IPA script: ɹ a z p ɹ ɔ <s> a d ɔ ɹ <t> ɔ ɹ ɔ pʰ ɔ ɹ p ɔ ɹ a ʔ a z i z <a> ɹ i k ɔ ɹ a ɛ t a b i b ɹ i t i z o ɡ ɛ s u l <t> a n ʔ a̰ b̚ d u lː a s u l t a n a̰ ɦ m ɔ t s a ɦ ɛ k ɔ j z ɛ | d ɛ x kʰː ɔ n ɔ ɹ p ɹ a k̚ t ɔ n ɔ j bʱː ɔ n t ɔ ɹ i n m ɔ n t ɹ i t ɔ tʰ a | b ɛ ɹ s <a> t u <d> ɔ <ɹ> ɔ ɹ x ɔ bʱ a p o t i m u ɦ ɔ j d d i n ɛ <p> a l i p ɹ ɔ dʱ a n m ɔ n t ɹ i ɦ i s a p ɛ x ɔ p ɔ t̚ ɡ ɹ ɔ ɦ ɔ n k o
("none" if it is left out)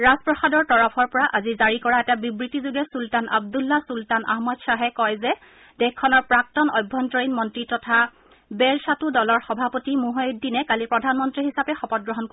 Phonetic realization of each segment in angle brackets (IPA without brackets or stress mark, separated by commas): x, t, a, t, a, d, l, k